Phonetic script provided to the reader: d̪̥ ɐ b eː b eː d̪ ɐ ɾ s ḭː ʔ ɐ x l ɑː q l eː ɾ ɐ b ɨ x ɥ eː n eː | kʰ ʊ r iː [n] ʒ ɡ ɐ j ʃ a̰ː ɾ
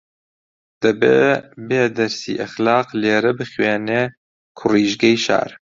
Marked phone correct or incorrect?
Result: incorrect